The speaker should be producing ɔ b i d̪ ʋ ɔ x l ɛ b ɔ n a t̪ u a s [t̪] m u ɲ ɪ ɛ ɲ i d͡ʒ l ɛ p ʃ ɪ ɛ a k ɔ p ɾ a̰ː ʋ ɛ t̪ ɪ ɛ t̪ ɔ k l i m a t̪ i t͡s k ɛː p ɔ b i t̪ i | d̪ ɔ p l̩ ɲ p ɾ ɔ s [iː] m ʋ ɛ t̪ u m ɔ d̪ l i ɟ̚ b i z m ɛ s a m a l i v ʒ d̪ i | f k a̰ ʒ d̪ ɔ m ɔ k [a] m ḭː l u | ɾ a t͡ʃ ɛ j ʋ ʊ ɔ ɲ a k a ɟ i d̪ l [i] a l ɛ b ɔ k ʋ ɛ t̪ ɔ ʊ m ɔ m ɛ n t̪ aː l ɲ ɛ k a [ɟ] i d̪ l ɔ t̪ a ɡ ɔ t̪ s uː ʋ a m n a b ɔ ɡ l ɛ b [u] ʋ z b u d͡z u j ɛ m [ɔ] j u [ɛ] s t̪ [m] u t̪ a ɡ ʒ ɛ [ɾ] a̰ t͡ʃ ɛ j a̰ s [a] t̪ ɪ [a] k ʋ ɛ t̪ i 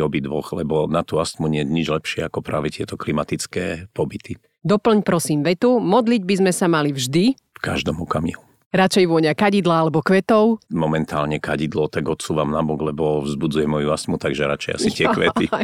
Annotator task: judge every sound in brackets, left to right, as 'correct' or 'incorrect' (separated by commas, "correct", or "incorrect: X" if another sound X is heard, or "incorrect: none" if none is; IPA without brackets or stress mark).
correct, correct, correct, incorrect: a, correct, incorrect: ɔ, correct, incorrect: a, correct, correct, incorrect: i, incorrect: ɛ